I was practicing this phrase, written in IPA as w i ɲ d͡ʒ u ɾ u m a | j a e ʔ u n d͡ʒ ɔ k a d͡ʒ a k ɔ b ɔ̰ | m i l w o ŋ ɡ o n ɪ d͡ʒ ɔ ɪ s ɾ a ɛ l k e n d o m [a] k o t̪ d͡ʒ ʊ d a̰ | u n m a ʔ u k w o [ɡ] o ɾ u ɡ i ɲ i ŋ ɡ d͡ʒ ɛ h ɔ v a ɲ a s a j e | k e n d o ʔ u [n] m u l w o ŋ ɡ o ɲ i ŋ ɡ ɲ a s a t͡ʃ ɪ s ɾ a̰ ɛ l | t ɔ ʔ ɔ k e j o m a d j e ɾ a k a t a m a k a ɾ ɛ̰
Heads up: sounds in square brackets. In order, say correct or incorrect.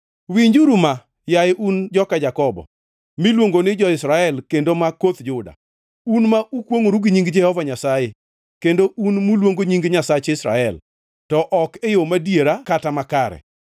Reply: correct, incorrect, correct

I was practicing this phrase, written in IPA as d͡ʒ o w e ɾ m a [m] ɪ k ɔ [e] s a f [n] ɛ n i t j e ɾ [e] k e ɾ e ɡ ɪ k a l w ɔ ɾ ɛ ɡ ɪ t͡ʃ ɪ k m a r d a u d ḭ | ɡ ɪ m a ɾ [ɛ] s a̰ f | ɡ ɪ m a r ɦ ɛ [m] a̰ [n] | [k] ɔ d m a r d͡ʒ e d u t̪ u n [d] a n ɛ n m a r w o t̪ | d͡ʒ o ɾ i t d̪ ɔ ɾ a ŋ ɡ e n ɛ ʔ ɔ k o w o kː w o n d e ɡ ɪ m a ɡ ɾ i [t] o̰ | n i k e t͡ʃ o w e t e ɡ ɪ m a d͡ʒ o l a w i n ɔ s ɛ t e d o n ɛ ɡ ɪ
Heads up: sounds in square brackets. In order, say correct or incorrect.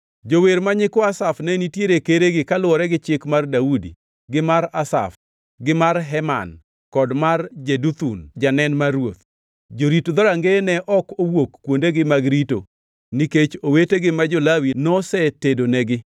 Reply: incorrect, incorrect, correct, correct, incorrect, correct, correct, correct, incorrect, correct

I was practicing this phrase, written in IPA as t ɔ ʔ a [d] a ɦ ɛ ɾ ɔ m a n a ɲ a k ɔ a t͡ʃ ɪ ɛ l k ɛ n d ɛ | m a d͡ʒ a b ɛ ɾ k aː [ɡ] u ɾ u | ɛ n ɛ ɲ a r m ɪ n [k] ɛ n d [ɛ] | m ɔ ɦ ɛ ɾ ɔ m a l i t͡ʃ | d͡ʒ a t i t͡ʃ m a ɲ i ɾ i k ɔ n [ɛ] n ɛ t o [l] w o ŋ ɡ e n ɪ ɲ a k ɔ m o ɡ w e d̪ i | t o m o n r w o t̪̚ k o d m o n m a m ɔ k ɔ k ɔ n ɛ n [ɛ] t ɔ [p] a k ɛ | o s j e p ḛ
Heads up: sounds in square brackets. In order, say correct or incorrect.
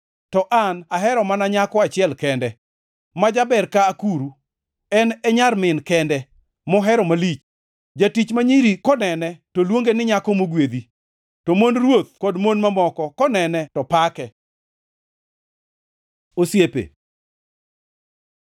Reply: incorrect, incorrect, correct, correct, correct, correct, correct, correct

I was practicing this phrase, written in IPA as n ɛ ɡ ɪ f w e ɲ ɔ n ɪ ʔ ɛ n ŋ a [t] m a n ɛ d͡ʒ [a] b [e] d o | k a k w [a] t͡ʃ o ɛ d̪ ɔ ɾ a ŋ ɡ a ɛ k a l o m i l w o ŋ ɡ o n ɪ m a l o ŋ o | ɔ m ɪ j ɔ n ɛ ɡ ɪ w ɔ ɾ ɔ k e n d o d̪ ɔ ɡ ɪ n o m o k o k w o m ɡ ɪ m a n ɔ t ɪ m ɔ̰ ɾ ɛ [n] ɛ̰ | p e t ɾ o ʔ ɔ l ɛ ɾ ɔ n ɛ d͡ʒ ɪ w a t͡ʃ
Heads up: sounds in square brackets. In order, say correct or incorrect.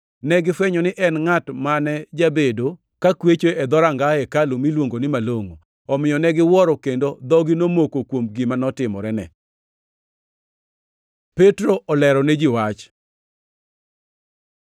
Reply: correct, correct, correct, incorrect, correct

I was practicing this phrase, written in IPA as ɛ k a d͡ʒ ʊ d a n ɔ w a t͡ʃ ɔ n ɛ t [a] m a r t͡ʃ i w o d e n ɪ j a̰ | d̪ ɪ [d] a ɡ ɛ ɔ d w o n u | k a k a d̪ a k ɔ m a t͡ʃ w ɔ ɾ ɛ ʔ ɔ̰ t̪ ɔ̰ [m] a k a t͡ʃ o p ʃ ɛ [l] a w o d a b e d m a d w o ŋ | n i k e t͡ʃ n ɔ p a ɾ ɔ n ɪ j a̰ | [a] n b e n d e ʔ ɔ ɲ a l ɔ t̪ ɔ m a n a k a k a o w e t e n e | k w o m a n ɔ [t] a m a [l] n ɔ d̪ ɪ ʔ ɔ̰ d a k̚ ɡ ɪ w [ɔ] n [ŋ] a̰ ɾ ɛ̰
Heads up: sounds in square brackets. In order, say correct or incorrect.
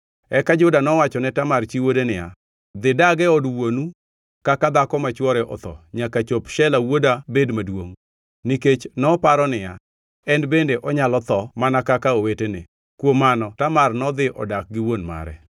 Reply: correct, correct, incorrect, correct, incorrect, correct, incorrect, incorrect, incorrect

